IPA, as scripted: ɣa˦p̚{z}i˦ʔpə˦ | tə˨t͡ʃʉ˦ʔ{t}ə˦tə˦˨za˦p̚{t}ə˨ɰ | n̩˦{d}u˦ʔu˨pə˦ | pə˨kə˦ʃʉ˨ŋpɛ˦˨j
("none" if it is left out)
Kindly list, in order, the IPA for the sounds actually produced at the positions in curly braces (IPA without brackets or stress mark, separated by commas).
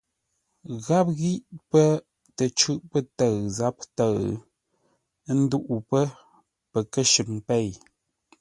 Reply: ɣ, p, t, d